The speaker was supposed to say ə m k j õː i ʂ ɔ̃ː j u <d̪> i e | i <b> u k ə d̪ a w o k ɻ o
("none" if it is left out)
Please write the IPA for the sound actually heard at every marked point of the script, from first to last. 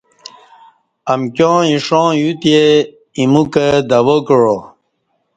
t̪, m

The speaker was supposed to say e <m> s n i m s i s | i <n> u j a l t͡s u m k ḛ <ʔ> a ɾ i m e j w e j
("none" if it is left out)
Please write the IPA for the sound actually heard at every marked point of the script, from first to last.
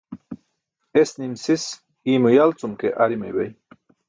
none, m, ʔ

